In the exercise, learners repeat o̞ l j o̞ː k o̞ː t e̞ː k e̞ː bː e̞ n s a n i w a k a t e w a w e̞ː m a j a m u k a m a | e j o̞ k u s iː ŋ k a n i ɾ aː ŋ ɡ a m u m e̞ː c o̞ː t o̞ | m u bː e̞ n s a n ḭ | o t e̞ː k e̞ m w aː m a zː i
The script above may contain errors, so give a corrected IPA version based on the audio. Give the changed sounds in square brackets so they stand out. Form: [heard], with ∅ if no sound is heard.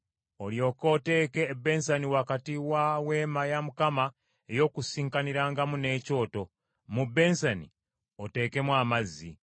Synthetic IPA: o̞ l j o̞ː k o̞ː t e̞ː k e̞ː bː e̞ n s a n i w a k a t [i] w a w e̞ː m a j a m u k a m a | e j o̞ k u s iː ŋ k a n i ɾ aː ŋ ɡ a m u [n] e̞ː c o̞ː t o̞ | m u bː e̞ n s a n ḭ | o t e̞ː k e̞ m w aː m a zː i